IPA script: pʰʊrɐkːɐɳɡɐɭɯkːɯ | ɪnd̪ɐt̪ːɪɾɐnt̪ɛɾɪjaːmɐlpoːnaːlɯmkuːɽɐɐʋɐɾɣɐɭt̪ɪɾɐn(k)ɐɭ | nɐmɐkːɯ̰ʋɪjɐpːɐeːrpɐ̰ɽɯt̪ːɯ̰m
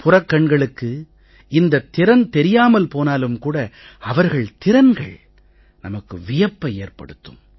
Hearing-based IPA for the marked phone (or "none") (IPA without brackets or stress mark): ɡ